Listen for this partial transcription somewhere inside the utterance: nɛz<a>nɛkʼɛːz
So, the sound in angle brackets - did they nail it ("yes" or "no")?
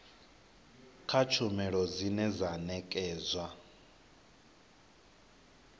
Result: yes